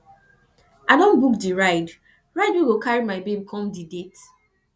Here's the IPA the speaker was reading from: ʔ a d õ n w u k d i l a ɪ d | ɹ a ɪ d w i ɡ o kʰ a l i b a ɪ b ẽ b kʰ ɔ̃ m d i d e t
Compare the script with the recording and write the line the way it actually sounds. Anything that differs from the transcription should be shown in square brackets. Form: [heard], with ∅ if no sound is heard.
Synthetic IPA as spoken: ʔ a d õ n [b] u k d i [ɹ] a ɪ d | ɹ a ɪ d w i ɡ o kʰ a [ɹ] i [m] a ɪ b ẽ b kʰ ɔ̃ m d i d e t

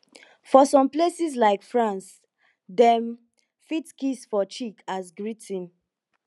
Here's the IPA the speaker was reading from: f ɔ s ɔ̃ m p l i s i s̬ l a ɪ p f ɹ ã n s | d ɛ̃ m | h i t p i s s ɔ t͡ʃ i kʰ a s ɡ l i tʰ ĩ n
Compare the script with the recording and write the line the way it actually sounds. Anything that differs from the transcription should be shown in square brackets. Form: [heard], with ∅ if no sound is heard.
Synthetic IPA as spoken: f ɔ s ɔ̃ m p l [e] s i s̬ l a ɪ [k] f ɹ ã n s | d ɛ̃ m | [f] i t [k] i s [f] ɔ t͡ʃ i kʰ a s ɡ [ɹ] i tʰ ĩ n

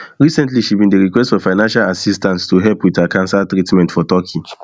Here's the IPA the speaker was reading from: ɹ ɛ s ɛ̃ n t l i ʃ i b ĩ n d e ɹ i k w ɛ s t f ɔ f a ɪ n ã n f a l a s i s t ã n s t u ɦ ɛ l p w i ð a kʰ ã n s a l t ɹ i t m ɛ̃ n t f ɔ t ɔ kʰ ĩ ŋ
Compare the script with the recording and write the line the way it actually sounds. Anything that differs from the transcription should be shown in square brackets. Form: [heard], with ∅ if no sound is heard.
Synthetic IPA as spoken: ɹ [i] s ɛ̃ n t l i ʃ i b ĩ n d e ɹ i k w ɛ s t f ɔ f a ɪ n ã n [ʃ] a l a s i s t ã n s t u ɦ ɛ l p w i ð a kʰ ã n s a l t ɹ i t m ɛ̃ n t f ɔ t ɔ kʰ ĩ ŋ

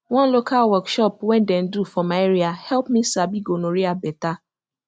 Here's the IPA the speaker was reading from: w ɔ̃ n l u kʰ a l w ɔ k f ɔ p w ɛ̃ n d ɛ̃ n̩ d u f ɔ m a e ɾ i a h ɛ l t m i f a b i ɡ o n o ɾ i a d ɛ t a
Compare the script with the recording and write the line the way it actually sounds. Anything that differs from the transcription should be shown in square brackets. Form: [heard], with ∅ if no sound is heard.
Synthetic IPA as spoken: w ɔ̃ n l [o] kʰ a l w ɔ k [ʃ] ɔ p w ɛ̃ n d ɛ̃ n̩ d u f ɔ m a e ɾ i a h ɛ l [p] m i [s] a b i ɡ o n o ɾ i a [b] ɛ t a

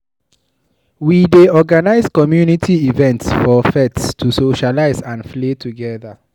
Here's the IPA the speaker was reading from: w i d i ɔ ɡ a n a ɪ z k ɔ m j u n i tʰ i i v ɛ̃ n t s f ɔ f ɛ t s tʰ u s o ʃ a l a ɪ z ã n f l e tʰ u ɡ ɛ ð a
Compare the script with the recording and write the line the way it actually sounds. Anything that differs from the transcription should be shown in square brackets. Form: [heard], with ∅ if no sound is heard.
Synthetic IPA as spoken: w i d [e] ɔ ɡ a n a ɪ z k ɔ m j u n i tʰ i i v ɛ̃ n t s f ɔ f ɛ t s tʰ u s o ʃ a l a ɪ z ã n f l e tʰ u ɡ ɛ ð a

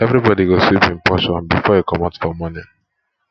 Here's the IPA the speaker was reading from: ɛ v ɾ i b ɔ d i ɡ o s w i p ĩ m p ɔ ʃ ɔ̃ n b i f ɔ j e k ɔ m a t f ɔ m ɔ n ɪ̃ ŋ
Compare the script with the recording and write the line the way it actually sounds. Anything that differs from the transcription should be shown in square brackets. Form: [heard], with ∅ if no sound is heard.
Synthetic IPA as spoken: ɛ v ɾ i b ɔ d i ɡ o s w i p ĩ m p ɔ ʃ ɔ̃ n b i f ɔ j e k ɔ m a t f ɔ m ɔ n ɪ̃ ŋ

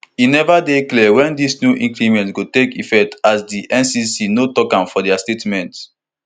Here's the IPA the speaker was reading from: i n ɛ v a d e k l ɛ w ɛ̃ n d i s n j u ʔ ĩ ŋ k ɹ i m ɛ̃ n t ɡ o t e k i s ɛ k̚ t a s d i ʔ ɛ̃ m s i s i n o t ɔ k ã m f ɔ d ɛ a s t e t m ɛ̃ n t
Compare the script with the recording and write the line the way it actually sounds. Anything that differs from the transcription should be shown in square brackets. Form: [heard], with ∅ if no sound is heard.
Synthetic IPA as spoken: i n ɛ v a d e k l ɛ w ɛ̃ n d i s n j u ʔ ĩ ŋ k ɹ i m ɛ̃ n t ɡ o t e k i [f] ɛ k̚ t a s d i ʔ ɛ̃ [n] s i s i n o t ɔ k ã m f ɔ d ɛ a s t e t m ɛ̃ n t

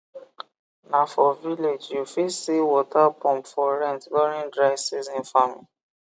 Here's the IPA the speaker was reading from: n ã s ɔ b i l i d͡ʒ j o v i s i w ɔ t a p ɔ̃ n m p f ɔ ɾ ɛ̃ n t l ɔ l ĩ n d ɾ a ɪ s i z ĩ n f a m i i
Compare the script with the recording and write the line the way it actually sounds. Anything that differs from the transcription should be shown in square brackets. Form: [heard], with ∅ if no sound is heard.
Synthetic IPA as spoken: n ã [f] ɔ [v] i l [e] d͡ʒ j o [f] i s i w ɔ t a p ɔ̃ [∅] m p f ɔ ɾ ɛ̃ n t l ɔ [ɾ] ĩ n d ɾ a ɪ s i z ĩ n f a m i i

